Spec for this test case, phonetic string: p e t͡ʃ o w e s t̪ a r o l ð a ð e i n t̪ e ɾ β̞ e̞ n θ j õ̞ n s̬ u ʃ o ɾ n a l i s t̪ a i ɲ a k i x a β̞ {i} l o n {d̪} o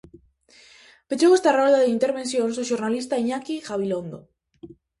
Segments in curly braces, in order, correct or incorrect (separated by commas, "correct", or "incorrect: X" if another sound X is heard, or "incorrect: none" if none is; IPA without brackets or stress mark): correct, correct